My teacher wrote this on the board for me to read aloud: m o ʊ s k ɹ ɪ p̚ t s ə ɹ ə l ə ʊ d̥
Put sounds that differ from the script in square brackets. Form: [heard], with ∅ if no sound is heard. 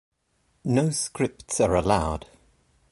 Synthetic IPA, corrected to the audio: [n] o ʊ s k ɹ ɪ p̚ t s ə ɹ ə l [a] ʊ d̥